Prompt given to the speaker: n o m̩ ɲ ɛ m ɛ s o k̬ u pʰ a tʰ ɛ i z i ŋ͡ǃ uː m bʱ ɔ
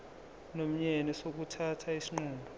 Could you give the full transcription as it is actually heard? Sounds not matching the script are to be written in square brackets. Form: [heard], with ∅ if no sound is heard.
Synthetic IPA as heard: n o m̩ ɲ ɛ [n] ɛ s o k̬ u [tʰ] a tʰ [a] i [s] i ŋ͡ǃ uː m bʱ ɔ